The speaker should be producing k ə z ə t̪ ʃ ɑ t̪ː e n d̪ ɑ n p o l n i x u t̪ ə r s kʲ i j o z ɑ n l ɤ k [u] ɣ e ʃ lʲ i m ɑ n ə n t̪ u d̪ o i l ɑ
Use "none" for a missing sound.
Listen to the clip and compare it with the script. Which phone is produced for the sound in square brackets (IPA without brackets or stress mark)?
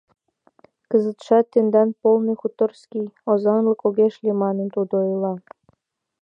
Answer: o